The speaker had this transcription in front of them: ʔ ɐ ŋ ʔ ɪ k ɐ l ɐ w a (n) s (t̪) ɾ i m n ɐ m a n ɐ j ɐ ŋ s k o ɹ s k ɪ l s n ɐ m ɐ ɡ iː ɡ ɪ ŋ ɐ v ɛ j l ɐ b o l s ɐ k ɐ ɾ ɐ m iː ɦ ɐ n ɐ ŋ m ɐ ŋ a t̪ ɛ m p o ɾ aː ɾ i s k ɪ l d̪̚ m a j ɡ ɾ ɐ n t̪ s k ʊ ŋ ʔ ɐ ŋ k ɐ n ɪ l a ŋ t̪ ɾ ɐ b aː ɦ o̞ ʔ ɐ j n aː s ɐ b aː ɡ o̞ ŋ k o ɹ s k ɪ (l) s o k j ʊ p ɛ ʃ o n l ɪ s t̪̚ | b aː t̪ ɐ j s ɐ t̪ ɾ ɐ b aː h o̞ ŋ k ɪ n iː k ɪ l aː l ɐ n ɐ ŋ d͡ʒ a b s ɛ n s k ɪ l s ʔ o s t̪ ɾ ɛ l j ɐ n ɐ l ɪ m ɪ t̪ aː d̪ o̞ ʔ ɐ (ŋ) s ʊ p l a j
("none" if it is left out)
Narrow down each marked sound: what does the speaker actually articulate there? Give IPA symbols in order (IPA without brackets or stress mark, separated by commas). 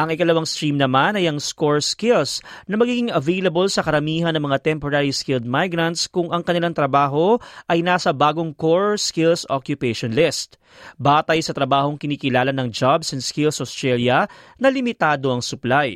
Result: ŋ, t̪, l, ŋ